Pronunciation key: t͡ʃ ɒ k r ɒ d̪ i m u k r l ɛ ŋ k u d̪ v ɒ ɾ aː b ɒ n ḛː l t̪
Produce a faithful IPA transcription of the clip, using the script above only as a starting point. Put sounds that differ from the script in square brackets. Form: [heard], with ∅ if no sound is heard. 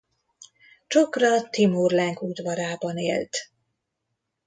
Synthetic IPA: t͡ʃ [o] k r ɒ [t̪] i m u [∅] r l ɛ ŋ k u d̪ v ɒ ɾ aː b ɒ n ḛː l t̪